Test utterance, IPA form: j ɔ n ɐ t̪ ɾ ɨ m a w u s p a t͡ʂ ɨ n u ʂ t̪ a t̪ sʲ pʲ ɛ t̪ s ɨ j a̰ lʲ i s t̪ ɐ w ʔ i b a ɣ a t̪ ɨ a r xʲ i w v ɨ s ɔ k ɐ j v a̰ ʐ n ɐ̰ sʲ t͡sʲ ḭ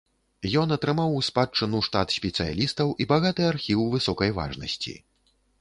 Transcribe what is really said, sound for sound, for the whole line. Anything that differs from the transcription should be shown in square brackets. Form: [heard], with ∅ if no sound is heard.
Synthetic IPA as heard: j ɔ n ɐ t̪ ɾ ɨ m a w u s p a t͡ʂ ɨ n u ʂ t̪ a t̪ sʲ pʲ ɛ t̪ s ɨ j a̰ lʲ i s t̪ ɐ w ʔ i b a ɣ a t̪ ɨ a r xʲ i w v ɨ s ɔ k ɐ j v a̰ ʐ n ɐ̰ sʲ t͡sʲ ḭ